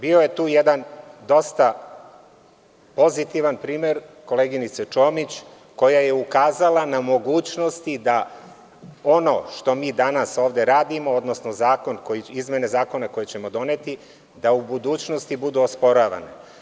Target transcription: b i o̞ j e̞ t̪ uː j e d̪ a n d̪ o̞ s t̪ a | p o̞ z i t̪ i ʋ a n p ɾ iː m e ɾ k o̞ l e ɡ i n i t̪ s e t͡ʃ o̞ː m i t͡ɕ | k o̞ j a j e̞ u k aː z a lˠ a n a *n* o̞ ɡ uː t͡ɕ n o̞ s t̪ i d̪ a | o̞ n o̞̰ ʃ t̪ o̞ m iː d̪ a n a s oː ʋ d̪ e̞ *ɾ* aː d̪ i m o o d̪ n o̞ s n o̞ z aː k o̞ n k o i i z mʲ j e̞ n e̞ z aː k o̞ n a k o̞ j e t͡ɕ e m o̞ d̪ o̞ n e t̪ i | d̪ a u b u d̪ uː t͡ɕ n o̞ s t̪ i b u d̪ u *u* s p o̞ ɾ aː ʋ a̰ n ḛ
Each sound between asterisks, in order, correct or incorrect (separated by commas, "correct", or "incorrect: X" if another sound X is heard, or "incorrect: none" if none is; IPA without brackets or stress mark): incorrect: m, correct, incorrect: o